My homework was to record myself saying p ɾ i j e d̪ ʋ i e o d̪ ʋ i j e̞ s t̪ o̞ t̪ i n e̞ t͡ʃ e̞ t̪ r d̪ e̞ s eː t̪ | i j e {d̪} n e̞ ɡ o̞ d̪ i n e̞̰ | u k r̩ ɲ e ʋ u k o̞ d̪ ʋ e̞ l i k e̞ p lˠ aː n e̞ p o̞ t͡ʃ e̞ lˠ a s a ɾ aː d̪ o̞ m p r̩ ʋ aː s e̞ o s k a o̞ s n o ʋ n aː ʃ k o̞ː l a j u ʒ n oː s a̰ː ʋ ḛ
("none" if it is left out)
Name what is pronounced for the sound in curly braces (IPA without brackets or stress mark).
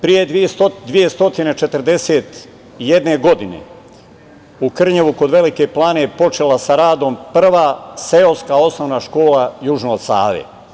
d̪